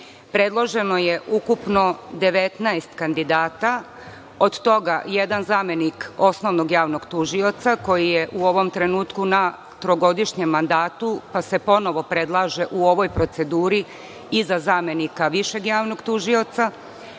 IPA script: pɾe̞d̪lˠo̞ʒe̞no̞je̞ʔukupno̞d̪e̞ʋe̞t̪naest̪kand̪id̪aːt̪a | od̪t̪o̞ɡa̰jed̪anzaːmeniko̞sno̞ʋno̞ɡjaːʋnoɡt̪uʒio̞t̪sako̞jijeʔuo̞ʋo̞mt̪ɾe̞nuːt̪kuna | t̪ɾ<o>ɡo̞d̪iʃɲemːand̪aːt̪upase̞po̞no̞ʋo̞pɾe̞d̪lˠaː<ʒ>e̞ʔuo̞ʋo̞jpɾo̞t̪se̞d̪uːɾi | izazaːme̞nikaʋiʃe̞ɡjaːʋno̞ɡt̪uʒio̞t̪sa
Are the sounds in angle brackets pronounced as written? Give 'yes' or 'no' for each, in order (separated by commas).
yes, yes